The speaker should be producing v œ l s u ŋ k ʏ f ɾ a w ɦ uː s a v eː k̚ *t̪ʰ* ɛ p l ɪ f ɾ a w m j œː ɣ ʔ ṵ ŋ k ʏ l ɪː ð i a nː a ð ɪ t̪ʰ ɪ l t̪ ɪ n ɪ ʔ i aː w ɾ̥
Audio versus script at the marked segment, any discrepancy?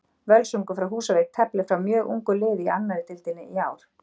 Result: no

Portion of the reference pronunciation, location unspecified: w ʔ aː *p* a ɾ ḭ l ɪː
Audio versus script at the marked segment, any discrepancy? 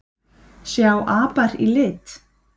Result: no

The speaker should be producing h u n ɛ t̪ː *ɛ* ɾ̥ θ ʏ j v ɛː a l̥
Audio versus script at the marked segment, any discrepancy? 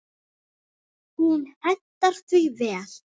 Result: yes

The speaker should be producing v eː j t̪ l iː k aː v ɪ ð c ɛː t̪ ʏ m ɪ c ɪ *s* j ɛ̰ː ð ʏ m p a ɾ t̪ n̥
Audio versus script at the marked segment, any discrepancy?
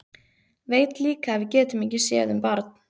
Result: no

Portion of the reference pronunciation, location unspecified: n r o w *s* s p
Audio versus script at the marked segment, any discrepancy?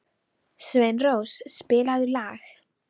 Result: no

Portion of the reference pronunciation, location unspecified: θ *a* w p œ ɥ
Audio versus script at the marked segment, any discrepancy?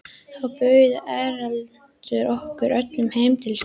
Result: no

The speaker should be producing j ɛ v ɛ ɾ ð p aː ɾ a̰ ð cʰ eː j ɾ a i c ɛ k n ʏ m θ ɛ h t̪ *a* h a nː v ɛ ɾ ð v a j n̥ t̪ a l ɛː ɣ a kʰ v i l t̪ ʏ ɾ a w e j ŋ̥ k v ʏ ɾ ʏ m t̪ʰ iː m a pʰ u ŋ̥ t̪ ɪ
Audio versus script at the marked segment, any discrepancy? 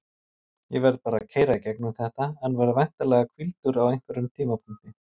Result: no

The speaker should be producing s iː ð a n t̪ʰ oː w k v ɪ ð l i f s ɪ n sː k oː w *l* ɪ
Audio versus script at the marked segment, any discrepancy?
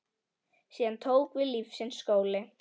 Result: no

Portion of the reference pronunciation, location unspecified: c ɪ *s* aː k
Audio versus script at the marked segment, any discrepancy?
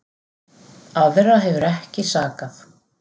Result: no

